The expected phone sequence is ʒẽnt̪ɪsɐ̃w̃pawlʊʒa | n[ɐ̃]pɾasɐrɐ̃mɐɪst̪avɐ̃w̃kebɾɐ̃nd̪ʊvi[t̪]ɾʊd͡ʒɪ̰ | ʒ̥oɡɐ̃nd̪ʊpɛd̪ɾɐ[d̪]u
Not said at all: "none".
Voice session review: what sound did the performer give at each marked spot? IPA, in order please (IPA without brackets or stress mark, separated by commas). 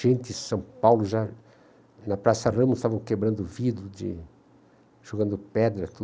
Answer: ɐ, d̪, t̪